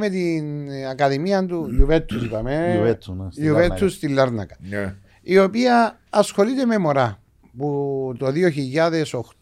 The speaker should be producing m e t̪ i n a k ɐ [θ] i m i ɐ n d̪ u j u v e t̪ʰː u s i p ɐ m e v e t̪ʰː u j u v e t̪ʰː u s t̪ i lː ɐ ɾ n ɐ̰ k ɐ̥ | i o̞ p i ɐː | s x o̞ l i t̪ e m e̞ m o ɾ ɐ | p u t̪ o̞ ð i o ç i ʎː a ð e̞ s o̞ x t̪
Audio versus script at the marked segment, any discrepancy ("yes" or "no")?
yes